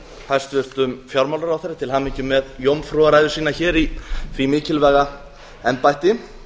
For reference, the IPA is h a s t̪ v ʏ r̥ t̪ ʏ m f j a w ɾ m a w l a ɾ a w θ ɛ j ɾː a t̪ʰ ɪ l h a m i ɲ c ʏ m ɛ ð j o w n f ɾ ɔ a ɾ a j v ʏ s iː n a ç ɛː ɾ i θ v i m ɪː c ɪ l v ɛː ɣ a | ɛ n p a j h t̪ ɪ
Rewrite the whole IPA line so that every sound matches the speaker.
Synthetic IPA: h a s t̪ v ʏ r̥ t̪ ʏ m f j a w ɾ m a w l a ɾ a w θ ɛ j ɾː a t̪ʰ ɪ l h a m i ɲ c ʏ m ɛ ð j o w m f ɾ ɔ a ɾ a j ð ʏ s iː n a ç ɛː ɾ i θ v i m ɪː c ɪ l v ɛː ɣ a | ɛ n p a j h t̪ ɪ